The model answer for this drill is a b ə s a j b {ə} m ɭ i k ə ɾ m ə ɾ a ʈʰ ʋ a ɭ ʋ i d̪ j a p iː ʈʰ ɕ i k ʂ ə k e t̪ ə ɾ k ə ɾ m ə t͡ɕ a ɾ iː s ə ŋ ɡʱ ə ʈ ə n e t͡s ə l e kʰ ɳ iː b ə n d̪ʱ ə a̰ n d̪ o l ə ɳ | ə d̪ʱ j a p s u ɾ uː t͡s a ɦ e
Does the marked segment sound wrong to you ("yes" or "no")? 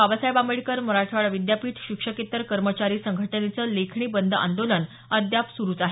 yes